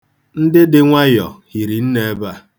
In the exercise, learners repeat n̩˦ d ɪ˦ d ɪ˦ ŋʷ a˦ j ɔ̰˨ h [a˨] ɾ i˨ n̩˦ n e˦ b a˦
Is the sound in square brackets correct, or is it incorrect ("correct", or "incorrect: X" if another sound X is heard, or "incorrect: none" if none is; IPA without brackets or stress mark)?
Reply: incorrect: i˨